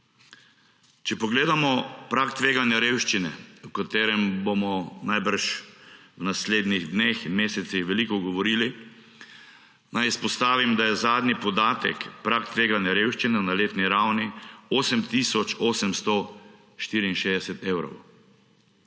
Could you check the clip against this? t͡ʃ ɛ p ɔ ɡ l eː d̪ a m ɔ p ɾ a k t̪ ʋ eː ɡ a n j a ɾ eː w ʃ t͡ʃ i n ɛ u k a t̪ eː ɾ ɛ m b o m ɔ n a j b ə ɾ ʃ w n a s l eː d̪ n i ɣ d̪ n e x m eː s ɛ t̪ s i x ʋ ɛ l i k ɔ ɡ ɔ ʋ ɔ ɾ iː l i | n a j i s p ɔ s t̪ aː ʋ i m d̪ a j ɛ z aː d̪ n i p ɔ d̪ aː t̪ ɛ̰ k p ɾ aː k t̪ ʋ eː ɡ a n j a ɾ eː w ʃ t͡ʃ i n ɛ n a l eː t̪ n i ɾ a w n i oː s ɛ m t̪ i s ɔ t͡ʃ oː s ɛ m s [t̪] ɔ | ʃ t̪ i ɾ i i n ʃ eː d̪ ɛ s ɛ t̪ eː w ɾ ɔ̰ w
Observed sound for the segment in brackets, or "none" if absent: t̪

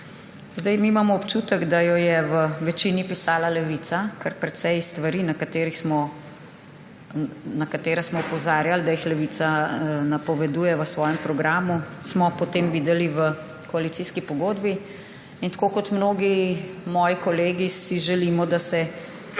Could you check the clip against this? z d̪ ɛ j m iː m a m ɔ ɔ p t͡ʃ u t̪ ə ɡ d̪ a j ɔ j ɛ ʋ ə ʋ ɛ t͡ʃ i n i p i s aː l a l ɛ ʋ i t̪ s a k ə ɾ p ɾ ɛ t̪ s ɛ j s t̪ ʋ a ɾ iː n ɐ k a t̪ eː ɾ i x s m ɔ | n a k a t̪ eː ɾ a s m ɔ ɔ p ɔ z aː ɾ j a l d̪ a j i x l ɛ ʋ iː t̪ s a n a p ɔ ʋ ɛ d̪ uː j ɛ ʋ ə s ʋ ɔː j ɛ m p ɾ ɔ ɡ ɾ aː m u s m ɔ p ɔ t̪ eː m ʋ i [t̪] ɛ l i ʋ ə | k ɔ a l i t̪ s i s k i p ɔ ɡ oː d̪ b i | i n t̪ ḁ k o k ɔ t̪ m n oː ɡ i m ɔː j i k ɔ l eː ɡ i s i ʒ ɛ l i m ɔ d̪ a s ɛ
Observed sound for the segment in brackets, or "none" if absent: d̪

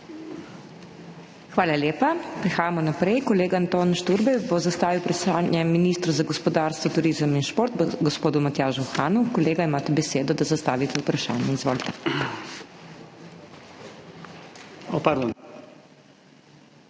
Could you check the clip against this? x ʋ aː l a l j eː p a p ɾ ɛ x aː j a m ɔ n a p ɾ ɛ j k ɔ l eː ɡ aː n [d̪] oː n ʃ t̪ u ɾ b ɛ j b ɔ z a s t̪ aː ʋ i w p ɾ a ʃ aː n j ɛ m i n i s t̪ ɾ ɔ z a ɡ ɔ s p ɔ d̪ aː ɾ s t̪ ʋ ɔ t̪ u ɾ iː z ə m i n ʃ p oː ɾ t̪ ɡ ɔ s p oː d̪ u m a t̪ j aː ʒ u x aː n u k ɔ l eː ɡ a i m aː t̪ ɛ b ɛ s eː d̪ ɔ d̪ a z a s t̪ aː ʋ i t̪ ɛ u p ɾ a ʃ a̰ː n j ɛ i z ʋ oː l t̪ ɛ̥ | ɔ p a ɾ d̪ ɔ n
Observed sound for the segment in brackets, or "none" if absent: t̪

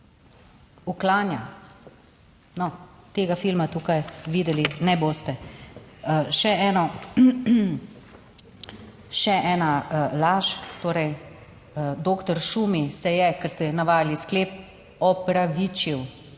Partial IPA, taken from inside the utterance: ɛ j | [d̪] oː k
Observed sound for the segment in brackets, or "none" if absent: d̪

